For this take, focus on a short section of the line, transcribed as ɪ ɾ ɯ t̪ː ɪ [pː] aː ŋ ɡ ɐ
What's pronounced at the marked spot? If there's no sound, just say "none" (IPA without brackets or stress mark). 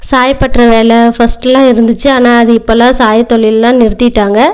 ʈː